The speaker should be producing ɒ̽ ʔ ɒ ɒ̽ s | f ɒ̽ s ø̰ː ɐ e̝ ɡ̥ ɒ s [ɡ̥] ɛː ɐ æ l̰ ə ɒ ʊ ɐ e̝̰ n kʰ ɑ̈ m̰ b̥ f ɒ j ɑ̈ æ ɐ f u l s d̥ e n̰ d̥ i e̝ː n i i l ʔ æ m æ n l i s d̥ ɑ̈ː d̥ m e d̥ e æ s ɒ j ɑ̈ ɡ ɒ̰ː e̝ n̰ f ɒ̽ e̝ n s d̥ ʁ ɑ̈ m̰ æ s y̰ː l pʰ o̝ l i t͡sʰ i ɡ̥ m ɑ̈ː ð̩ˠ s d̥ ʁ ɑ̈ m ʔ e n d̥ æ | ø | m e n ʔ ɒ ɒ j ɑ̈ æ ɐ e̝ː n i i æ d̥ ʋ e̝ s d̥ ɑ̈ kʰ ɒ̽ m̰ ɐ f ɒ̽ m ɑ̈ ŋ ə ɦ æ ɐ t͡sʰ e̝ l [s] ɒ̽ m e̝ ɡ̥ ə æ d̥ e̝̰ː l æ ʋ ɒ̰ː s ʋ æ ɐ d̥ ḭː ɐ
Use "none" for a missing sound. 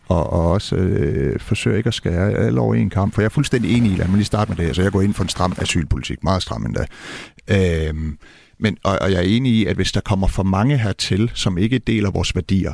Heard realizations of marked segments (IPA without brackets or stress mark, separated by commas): ɡ̥, s